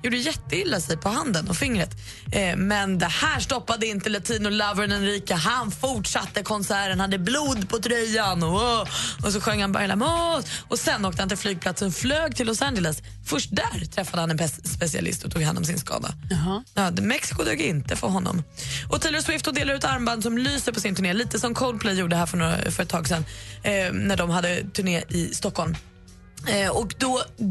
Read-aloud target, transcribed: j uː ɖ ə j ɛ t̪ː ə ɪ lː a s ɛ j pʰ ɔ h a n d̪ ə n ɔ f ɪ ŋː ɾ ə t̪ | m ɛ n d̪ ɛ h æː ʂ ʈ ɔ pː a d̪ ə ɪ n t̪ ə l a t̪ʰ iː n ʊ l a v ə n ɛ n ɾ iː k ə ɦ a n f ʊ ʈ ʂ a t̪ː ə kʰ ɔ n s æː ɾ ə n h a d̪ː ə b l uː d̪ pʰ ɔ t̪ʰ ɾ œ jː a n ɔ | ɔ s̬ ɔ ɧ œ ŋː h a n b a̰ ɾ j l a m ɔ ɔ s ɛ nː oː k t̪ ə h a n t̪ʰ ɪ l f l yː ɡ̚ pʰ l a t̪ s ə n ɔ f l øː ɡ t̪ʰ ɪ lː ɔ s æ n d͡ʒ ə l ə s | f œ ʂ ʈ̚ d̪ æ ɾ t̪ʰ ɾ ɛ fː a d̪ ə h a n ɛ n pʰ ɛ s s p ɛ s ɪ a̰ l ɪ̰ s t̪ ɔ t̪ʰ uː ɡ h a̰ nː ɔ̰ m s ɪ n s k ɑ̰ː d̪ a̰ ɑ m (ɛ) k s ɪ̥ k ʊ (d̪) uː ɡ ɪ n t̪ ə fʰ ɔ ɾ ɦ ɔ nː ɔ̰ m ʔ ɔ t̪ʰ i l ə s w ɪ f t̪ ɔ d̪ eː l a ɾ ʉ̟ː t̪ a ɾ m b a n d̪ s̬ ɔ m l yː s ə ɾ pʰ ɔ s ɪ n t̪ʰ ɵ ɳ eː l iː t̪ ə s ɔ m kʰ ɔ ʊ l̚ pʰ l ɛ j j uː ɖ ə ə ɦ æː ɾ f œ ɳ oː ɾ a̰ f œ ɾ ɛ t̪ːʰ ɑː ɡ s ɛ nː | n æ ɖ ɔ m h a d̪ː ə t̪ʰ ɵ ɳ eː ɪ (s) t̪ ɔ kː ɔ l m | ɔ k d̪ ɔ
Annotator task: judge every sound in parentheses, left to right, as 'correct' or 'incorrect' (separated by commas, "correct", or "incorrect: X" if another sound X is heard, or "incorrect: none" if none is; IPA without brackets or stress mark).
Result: correct, correct, correct